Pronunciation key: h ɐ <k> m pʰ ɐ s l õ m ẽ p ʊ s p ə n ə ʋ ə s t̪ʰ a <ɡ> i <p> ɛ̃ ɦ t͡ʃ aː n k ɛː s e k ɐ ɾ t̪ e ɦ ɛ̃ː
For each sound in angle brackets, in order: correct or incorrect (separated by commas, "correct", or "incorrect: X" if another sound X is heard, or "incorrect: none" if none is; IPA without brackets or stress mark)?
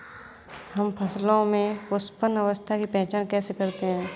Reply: incorrect: none, incorrect: k, correct